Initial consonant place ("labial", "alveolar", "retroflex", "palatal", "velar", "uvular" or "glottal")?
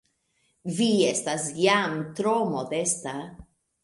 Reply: labial